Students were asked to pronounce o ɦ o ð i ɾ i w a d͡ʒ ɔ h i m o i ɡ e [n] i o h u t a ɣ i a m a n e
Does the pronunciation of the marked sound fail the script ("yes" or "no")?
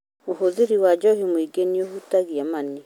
no